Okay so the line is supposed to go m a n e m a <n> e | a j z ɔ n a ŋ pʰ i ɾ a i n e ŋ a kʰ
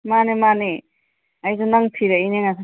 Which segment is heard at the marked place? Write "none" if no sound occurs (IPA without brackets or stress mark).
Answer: n